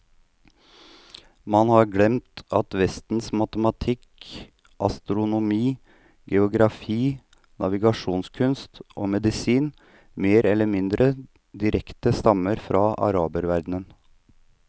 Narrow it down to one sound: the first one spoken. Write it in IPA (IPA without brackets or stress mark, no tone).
m